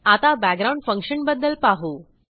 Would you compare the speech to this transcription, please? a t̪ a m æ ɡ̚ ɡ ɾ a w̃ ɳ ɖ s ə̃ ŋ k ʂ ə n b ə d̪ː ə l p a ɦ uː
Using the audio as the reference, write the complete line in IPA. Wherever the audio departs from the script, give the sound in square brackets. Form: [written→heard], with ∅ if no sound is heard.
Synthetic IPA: a t̪ a [m→b] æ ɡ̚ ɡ ɾ a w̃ ɳ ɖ [s→f] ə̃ ŋ k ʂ ə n b ə d̪ː ə l p a ɦ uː